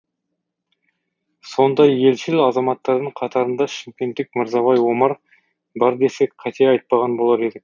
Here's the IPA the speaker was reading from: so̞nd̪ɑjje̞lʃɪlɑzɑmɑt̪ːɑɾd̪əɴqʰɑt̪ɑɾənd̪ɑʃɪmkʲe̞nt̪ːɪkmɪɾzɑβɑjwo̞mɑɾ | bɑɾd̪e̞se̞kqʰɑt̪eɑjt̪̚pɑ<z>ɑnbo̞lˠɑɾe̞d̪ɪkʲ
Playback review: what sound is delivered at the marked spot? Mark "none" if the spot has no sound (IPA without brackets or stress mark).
ʁ